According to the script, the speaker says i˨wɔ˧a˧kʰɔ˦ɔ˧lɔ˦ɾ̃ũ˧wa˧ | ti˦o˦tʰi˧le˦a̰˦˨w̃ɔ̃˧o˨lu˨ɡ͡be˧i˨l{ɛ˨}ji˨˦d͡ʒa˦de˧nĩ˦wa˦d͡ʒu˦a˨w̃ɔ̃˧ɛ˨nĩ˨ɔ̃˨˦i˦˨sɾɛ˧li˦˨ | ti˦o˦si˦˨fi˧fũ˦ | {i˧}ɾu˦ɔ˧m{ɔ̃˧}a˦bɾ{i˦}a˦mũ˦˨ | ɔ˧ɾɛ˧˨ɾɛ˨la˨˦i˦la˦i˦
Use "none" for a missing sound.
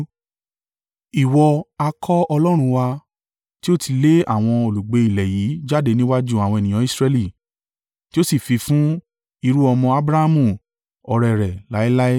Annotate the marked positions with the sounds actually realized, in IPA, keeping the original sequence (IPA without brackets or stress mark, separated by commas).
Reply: ɛ˨, i˧, ɔ̃˧, a˦